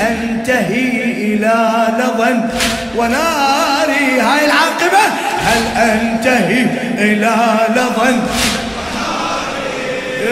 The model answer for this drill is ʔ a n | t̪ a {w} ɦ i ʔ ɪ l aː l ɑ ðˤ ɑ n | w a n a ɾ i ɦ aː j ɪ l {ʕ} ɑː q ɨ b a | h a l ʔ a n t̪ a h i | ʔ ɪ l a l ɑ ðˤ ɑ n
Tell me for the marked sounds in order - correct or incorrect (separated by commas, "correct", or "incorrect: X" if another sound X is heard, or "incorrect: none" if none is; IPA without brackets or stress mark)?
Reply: incorrect: none, correct